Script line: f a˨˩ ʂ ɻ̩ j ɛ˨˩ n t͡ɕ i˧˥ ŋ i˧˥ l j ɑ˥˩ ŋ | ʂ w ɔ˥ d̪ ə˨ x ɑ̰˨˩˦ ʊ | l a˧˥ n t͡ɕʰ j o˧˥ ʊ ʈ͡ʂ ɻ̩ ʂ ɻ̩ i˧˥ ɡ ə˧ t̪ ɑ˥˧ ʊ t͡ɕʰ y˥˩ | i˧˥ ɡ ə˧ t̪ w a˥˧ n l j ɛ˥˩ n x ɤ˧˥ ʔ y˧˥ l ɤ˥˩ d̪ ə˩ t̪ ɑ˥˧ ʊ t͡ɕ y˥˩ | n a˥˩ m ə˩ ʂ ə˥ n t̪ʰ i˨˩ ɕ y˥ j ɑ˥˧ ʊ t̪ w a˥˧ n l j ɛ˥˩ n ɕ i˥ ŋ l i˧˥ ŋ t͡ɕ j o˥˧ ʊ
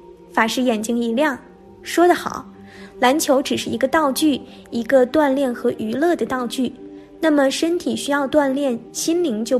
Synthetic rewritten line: f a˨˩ ʂ ɻ̩ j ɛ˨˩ n t͡ɕ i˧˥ ŋ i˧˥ l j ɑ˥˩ ŋ | ʂ w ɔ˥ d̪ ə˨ x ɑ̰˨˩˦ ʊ | l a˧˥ n t͡ɕʰ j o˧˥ ʊ ʈ͡ʂ ɻ̩ ʂ ɻ̩ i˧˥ ɡ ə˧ t̪ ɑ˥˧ ʊ t͡ɕ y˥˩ | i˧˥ ɡ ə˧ t̪ w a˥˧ n l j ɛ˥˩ n x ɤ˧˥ ʔ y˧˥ l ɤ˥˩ d̪ ə˩ t̪ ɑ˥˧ ʊ t͡ɕ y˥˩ | n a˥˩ m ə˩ ʂ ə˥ n t̪ʰ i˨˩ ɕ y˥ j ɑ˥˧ ʊ t̪ w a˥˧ n l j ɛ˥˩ n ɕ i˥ n l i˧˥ ŋ t͡ɕ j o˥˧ ʊ